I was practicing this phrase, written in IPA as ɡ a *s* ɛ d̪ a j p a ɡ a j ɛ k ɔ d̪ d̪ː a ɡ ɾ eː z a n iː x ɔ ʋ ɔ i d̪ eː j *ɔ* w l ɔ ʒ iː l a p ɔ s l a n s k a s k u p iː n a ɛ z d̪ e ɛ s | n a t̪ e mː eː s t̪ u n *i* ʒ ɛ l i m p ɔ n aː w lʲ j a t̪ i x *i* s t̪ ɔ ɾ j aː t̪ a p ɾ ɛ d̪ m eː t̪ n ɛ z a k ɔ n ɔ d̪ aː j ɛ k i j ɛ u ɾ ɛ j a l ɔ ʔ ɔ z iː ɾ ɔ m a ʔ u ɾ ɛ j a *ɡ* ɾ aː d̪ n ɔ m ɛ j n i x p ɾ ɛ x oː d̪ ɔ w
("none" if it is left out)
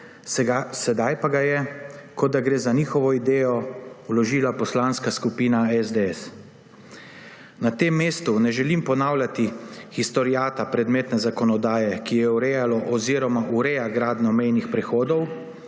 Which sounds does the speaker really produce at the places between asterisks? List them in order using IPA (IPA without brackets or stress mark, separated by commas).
s, ɔ, ɛ, i, ɡ